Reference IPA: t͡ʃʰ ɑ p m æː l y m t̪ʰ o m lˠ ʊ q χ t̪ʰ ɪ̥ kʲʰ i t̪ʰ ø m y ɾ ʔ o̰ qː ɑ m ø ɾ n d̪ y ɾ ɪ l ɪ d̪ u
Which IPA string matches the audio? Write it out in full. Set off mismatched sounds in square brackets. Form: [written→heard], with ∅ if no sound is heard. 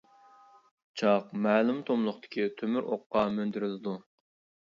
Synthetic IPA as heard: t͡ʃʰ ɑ [p→q] m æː l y m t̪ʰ o m lˠ ʊ [q→∅] χ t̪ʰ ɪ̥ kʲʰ i t̪ʰ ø m y ɾ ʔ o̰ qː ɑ m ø [ɾ→∅] n d̪ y ɾ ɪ l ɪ d̪ u